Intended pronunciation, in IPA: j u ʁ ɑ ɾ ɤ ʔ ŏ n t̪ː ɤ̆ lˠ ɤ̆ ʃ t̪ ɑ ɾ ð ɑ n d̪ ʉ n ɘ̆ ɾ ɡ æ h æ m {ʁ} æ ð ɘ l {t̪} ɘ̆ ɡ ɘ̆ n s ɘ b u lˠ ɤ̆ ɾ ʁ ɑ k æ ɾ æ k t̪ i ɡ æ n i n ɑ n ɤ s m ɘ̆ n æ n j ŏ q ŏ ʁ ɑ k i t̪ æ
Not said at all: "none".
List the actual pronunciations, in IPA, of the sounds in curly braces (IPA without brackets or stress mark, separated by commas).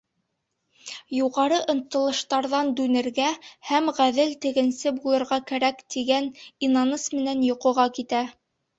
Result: ʁ, t̪